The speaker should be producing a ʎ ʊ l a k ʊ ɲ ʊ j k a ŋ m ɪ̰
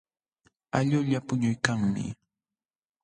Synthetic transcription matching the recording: a ʎ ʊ ʎ a p ʊ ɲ ʊ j k a ŋ m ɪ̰